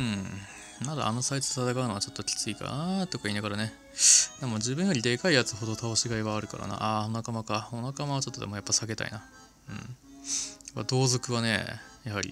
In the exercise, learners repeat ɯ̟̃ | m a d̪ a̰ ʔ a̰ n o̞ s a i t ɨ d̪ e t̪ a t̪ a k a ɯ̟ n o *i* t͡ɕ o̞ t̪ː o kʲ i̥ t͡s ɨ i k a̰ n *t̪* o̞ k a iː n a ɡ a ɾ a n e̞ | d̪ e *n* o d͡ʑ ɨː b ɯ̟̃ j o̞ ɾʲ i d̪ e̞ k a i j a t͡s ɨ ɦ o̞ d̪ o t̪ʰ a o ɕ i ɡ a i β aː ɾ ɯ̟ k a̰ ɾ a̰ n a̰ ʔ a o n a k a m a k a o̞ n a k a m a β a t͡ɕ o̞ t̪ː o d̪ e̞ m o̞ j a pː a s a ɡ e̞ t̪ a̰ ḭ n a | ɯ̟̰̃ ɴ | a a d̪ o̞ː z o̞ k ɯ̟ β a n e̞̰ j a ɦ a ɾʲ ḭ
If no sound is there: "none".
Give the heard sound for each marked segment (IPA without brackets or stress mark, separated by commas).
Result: a, t̪, m